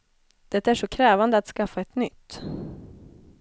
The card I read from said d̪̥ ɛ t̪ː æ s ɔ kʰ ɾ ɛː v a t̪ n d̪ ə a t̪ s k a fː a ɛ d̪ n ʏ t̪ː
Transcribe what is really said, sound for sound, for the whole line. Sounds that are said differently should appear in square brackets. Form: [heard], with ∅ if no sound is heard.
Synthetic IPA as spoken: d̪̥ ɛ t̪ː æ [ʂ] ɔ kʰ ɾ ɛː v a [∅] n d̪ ə a t̪ s k a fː a ɛ [t̪] n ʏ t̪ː